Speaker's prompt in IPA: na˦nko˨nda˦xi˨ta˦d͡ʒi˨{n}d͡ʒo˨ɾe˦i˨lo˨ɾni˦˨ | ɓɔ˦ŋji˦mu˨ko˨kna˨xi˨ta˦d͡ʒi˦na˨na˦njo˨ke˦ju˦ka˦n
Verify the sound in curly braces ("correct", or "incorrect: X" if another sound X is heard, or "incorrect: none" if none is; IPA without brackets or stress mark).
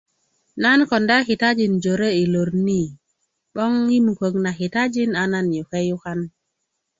correct